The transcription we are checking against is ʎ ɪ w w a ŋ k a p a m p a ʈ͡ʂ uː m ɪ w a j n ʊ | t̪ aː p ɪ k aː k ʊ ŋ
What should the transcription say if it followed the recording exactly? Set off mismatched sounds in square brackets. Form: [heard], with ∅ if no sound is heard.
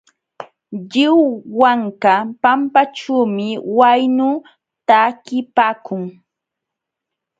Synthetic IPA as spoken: ʎ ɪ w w a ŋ k a p a m p a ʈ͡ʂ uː m ɪ w a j n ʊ | t̪ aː [k] ɪ [p] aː k ʊ ŋ